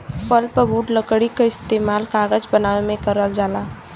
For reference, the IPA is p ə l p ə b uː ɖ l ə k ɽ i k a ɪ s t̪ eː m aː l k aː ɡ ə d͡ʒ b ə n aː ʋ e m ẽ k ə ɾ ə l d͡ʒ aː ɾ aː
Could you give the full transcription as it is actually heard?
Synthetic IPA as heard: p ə l p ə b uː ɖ l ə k ɽ i k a ɪ s t̪ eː m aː l k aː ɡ ə d͡ʒ b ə n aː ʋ e m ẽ k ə ɾ ə l d͡ʒ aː l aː